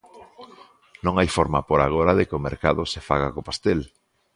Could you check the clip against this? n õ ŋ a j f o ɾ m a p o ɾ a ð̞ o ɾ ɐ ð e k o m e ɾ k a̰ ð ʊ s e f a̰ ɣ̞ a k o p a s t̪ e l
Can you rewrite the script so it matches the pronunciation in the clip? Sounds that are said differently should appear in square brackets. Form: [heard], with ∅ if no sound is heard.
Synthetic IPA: n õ ŋ a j f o ɾ m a p o ɾ a [ɣ̞] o ɾ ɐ ð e k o m e ɾ k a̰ ð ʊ s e f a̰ ɣ̞ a k o p a s t̪ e l